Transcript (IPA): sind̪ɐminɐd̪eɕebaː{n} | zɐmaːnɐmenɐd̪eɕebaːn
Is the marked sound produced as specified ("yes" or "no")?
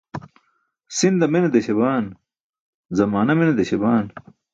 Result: yes